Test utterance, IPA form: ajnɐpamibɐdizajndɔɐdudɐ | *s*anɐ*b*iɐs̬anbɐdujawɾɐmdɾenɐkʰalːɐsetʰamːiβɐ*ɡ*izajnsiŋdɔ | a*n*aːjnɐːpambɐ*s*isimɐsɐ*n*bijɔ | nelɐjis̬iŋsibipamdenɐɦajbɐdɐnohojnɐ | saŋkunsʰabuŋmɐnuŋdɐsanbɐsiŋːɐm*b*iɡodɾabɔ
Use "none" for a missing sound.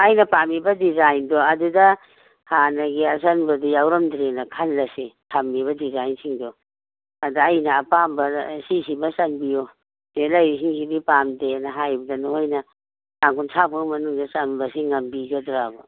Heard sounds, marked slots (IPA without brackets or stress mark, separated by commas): h, ɡ, d, d, s, n, b